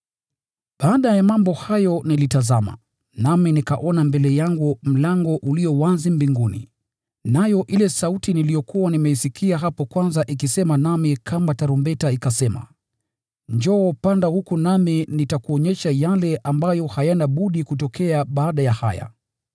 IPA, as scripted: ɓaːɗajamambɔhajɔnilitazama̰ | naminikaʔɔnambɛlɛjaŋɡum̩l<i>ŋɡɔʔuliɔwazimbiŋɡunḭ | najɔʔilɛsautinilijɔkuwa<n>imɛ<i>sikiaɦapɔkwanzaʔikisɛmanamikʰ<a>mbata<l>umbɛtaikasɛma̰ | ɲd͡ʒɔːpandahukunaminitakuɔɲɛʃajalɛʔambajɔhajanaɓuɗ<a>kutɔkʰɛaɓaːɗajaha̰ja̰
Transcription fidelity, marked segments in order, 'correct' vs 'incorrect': incorrect: a, correct, correct, correct, incorrect: ɾ, incorrect: i

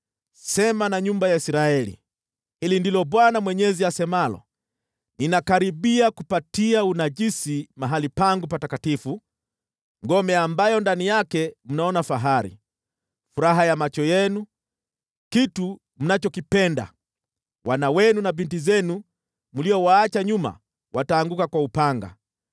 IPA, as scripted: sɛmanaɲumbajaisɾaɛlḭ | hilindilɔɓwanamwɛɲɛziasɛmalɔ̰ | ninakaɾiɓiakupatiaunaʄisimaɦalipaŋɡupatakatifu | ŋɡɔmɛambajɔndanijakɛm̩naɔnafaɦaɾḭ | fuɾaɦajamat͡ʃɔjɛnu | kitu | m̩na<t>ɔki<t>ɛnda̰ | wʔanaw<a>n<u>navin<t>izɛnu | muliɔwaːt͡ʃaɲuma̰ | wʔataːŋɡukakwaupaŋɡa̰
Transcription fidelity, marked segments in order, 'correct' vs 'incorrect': incorrect: t͡ʃ, incorrect: p, incorrect: ɛ, correct, correct

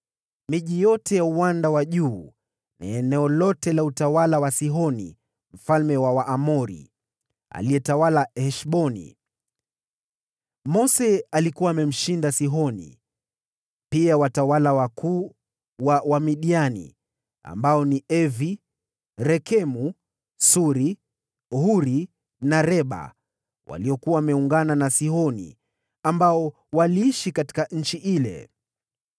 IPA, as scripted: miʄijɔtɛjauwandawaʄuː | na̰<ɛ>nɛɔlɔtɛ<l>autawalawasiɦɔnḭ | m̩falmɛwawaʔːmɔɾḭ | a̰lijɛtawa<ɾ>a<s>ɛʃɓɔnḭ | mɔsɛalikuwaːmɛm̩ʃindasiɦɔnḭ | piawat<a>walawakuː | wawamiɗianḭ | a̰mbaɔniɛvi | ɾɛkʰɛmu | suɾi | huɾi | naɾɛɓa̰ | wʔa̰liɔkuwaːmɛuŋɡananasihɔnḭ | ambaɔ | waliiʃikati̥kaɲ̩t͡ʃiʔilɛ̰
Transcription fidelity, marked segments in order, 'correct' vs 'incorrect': correct, correct, incorrect: l, incorrect: h, correct

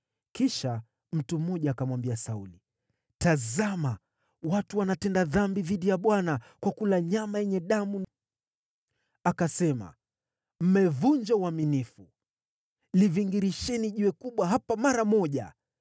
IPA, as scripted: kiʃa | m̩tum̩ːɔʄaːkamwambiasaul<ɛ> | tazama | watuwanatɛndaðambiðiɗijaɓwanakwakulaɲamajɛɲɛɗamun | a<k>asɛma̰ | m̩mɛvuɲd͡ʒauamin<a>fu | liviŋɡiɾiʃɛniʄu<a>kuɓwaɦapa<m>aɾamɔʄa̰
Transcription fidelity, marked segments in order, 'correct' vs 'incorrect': incorrect: i, correct, incorrect: i, incorrect: ɛ, correct

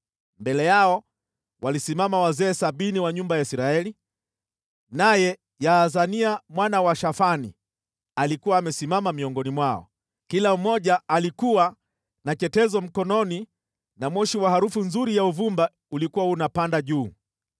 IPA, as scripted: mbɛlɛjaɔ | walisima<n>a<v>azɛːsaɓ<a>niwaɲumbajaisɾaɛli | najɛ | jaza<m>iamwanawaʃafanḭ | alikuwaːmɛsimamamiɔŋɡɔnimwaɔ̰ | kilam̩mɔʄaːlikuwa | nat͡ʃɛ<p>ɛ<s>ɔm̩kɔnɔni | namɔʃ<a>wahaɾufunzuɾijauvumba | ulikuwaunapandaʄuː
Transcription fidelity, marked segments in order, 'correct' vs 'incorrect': incorrect: m, incorrect: w, incorrect: i, incorrect: n, incorrect: t, incorrect: z, incorrect: i

